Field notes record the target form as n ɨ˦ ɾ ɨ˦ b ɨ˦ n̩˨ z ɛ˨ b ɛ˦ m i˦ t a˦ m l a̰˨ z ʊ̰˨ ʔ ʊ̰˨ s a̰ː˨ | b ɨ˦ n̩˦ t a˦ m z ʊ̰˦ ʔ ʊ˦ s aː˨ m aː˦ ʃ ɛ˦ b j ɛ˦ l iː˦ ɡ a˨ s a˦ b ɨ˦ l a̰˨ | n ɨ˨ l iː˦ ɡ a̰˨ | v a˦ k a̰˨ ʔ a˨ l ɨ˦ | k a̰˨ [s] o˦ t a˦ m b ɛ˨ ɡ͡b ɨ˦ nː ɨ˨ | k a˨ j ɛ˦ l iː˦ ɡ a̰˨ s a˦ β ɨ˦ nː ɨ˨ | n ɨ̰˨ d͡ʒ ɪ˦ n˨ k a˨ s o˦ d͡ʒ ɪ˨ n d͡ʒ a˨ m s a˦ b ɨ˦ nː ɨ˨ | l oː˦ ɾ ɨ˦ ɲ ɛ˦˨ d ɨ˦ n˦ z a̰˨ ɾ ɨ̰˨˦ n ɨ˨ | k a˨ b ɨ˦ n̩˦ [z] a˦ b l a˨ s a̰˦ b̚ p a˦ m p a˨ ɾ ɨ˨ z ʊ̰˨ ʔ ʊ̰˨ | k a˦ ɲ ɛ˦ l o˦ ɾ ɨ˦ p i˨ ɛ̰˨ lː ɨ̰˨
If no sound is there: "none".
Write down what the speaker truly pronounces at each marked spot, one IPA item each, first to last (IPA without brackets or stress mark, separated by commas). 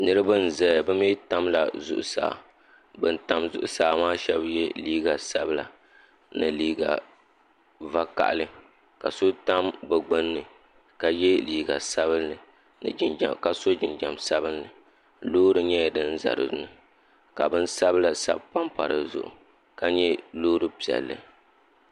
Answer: s, s